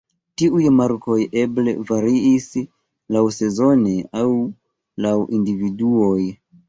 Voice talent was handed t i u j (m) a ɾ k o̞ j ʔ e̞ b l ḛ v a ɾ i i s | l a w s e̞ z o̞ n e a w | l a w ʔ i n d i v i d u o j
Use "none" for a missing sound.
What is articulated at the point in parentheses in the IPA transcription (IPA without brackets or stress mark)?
m